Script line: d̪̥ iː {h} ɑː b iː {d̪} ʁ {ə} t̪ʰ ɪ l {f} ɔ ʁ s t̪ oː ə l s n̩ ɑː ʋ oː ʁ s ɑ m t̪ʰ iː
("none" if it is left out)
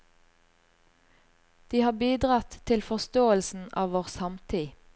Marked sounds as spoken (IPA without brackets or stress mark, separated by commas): h, d̪, ɑ, f